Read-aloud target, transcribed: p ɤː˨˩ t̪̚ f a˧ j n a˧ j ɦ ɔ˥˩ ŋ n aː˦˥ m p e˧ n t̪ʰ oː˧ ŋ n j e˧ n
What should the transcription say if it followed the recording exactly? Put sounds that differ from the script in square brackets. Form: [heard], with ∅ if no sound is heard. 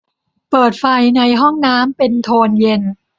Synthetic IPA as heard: p ɤː˨˩ t̪̚ f a˧ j n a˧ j ɦ ɔ˥˩ ŋ n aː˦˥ m p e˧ n t̪ʰ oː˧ [∅] n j e˧ n